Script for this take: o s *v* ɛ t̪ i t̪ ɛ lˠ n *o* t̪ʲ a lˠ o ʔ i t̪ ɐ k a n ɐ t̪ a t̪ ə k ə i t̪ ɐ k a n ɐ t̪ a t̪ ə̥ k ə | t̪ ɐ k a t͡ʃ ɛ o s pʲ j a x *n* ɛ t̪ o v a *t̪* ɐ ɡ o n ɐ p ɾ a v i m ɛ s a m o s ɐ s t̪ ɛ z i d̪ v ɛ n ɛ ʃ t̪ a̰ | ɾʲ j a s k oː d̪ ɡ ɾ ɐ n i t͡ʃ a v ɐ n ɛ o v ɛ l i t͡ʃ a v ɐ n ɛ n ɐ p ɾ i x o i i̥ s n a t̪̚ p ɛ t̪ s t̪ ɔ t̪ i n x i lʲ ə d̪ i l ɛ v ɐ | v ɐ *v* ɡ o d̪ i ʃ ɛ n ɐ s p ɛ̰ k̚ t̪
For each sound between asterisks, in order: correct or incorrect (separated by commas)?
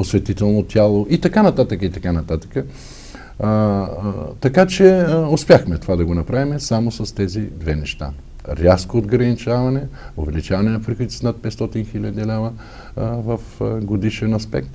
correct, correct, incorrect, incorrect, incorrect